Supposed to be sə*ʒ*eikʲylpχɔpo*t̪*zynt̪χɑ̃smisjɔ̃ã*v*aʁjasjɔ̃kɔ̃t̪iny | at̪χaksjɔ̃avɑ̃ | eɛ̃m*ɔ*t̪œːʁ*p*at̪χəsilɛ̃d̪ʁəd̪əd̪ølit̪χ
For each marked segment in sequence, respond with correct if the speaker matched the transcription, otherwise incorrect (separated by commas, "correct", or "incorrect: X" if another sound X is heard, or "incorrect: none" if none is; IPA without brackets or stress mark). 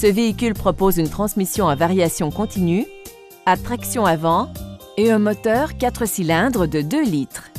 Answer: incorrect: v, incorrect: none, correct, correct, incorrect: k